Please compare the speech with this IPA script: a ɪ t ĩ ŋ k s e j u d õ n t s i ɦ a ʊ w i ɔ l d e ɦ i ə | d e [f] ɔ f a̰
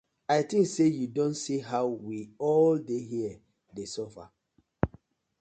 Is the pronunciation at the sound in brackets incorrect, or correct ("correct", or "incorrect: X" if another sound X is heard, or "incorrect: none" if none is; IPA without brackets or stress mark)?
incorrect: s